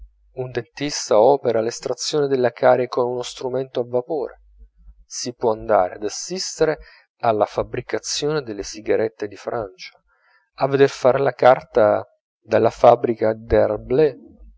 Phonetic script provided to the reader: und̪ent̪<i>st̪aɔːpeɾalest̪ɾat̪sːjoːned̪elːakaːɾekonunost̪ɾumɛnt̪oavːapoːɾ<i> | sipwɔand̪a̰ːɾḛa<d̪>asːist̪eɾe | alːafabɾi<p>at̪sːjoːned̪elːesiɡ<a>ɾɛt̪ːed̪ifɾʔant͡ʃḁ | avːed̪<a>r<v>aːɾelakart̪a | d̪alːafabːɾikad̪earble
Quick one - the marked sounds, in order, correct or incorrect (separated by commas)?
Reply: correct, incorrect, correct, incorrect, correct, incorrect, incorrect